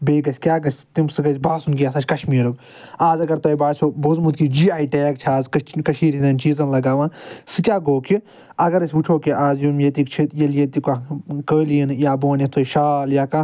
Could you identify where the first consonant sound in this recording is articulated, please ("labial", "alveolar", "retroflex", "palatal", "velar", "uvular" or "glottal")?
labial